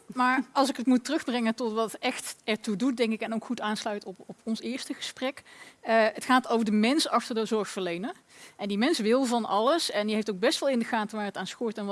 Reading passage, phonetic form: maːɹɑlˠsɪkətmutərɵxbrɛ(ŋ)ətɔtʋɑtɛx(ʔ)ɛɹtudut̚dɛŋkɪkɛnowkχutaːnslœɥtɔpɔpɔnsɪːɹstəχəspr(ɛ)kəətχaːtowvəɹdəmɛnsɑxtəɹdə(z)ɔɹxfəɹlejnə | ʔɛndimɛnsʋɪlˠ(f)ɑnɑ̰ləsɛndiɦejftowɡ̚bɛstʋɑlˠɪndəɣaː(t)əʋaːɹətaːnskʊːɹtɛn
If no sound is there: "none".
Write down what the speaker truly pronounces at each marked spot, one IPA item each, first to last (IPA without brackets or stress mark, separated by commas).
ŋ, t, ɛ, z, v, t